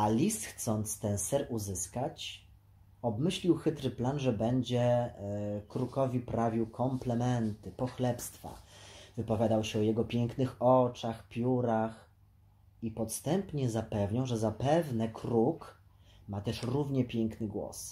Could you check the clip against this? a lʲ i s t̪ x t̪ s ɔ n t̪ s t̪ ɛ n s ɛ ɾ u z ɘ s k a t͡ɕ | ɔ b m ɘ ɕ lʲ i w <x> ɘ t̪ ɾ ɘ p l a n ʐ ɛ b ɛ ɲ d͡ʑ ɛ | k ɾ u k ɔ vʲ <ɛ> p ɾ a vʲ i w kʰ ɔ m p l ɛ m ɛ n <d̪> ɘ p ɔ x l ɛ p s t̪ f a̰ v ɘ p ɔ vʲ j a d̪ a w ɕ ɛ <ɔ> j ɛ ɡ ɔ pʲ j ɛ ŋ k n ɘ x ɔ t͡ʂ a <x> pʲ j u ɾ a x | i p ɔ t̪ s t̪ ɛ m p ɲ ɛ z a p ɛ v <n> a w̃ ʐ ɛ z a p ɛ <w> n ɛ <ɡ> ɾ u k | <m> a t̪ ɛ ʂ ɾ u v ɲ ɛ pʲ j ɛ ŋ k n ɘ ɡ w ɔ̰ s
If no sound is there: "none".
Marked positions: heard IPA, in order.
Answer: x, i, t̪, ɔ, x, ɲ, v, k, m

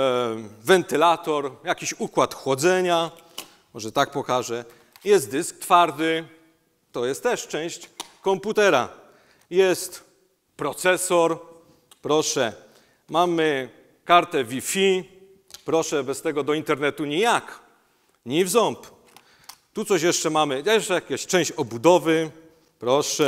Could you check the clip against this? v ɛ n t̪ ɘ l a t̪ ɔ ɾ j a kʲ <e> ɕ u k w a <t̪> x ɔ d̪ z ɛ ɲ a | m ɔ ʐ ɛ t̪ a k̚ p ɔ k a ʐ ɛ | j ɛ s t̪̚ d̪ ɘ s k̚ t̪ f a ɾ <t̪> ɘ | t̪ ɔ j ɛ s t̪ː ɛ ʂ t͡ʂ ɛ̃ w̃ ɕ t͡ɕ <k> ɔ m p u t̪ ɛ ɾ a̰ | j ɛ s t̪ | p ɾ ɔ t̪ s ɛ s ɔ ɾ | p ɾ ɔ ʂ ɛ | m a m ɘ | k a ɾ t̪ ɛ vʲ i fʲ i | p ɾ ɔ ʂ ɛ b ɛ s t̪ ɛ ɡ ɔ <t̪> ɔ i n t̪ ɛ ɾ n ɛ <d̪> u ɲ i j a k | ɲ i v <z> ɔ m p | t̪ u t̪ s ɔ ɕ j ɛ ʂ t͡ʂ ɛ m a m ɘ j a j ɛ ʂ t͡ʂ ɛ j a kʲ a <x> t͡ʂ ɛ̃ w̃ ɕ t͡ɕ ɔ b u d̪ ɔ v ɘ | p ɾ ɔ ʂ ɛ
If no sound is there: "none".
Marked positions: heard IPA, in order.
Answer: i, t̪, d̪, k, d̪, t̪, z, ɕ

